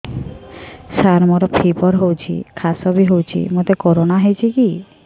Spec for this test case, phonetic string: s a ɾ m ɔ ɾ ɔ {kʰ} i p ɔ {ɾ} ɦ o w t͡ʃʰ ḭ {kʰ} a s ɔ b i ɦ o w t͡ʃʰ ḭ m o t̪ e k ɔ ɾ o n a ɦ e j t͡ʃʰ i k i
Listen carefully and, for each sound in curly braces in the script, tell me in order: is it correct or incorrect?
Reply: incorrect: pʰ, correct, correct

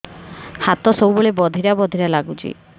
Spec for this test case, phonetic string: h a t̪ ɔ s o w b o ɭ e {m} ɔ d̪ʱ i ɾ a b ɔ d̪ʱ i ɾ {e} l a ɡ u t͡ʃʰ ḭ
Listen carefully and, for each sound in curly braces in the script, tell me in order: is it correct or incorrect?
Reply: incorrect: b, incorrect: a

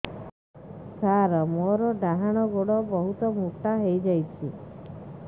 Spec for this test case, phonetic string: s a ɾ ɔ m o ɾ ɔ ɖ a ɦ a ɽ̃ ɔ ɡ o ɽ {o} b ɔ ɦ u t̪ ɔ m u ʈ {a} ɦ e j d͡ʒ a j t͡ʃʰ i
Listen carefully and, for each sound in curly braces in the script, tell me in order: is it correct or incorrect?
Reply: incorrect: ɔ, correct

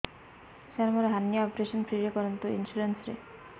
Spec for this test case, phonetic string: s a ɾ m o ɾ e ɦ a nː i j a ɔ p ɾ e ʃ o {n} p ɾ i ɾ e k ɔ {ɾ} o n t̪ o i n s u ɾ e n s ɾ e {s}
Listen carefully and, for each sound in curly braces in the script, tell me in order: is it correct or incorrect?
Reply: correct, correct, incorrect: none

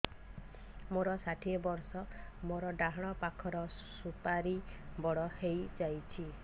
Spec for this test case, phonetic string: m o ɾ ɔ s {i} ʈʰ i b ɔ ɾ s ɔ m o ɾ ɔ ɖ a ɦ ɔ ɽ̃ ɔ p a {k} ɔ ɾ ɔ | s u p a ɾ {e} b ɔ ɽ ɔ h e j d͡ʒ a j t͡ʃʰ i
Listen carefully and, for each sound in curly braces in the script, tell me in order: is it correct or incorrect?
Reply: incorrect: a, incorrect: kʰ, incorrect: i

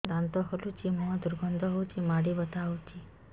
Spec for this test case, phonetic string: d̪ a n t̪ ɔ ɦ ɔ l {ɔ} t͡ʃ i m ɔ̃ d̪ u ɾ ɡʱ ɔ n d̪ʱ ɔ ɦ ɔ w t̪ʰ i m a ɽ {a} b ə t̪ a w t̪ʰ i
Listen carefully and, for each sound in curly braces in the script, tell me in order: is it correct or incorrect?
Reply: incorrect: u, incorrect: i

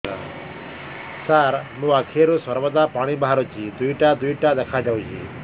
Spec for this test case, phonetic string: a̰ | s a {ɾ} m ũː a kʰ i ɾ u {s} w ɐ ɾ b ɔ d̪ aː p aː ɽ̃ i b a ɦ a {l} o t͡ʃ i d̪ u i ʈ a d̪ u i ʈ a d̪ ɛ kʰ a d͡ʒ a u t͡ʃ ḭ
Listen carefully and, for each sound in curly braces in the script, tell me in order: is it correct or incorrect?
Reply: correct, correct, incorrect: ɾ

